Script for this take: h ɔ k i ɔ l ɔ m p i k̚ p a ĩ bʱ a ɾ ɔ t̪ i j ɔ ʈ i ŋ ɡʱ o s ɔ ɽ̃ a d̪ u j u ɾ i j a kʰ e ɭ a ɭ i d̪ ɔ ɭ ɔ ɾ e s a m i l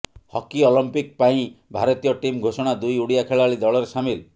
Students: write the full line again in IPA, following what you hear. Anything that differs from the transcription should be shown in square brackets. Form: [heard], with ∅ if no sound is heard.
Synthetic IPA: h ɔ k i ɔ l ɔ m p i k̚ p a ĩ bʱ a ɾ ɔ t̪ i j ɔ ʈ i [m] ɡʱ o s ɔ ɽ̃ a d̪ u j u [ɽ] i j a kʰ e ɭ a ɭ i d̪ ɔ ɭ ɔ ɾ e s a m i l